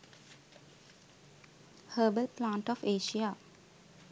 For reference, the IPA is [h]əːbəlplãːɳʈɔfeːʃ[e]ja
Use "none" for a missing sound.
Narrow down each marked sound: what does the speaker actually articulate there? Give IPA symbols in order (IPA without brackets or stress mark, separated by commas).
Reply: h, i